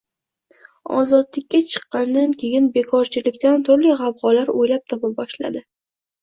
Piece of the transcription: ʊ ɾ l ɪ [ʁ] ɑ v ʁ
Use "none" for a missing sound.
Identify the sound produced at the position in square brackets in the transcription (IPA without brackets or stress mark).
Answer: ʁ